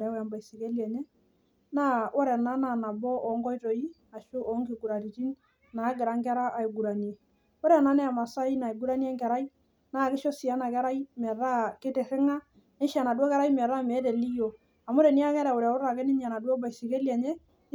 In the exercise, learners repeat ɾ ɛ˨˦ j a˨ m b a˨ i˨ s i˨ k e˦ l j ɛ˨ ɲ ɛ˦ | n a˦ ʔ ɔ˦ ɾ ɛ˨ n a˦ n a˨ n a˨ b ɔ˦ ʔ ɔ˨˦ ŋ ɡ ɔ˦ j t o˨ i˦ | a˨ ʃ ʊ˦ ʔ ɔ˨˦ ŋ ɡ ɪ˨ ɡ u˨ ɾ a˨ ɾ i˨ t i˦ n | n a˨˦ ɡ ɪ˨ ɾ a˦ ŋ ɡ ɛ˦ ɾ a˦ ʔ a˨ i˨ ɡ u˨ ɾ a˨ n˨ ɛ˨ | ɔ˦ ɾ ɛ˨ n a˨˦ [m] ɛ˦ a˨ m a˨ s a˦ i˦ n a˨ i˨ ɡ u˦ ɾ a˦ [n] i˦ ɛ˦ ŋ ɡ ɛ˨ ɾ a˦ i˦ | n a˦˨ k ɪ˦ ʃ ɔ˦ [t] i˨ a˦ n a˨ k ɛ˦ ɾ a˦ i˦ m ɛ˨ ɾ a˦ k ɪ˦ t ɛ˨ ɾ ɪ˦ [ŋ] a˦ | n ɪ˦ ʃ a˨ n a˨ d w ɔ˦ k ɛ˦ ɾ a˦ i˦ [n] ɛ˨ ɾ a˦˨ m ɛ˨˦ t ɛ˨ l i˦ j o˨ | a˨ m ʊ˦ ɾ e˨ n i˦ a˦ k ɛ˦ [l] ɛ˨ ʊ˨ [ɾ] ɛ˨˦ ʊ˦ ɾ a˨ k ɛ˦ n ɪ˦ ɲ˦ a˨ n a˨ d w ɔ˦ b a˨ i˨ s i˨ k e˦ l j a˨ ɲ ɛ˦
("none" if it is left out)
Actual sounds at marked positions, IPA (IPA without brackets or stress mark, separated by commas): n, n, s, ŋ, m, ɾ, ɾ